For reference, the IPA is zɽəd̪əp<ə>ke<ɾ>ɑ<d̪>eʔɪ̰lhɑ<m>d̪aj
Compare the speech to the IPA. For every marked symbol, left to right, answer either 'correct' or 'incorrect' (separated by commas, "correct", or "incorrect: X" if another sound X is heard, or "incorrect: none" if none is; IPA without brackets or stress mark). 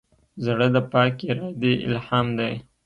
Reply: incorrect: ɑ, correct, correct, correct